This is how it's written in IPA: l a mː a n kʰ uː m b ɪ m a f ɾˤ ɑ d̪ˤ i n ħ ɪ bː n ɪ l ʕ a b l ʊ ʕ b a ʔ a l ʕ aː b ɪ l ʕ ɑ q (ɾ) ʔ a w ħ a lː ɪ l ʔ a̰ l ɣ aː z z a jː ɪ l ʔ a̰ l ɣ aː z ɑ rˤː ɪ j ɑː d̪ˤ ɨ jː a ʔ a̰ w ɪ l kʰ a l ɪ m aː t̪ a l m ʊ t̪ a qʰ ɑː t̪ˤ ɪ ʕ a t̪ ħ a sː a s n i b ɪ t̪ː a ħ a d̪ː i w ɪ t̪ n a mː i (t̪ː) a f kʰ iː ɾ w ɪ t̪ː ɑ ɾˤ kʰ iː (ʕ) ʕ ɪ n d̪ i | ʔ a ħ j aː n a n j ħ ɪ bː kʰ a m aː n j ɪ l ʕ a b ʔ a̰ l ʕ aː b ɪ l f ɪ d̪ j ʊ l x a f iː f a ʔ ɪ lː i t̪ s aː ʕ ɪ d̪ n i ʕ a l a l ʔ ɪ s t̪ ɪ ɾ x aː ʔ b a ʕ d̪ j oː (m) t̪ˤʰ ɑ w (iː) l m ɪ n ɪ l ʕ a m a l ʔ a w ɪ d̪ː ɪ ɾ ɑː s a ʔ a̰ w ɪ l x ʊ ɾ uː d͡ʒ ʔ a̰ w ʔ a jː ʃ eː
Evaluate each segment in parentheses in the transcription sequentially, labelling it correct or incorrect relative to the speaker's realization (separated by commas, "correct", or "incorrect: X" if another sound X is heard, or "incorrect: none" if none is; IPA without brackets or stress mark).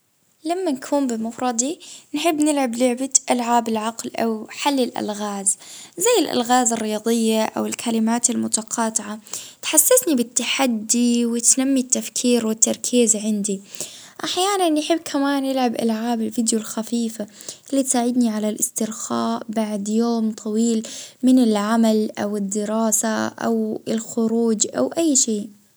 incorrect: l, correct, incorrect: z, correct, correct